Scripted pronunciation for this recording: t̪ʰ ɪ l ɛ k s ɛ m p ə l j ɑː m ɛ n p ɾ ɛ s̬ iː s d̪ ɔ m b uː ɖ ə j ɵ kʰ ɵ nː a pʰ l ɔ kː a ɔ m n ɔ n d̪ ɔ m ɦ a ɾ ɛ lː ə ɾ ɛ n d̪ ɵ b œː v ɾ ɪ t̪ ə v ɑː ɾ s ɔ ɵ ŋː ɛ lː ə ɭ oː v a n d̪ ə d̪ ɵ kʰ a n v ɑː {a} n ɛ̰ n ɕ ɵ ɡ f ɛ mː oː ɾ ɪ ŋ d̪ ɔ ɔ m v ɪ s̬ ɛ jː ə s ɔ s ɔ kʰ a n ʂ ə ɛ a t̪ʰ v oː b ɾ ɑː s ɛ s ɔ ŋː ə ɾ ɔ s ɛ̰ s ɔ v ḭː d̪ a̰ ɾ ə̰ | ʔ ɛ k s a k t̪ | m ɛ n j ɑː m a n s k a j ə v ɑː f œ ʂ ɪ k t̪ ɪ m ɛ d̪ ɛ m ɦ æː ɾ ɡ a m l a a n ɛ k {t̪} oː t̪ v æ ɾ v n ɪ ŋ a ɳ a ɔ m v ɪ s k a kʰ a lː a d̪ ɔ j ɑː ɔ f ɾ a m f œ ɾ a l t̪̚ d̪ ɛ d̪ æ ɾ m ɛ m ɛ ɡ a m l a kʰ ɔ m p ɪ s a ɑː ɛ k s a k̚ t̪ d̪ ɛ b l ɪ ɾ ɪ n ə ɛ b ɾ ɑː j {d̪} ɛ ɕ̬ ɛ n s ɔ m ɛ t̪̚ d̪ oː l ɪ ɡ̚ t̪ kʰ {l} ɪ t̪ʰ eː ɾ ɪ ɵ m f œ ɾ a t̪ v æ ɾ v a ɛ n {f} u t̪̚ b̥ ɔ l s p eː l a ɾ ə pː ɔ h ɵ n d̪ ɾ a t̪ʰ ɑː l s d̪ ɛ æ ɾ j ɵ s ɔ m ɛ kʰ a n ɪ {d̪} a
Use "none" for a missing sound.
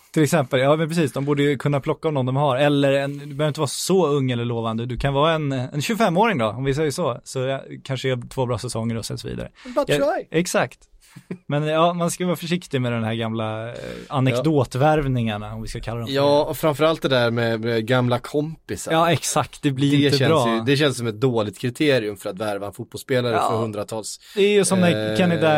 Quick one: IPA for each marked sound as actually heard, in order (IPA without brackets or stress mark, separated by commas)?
ɛ, d̪, d̪, ɾ, f, d̪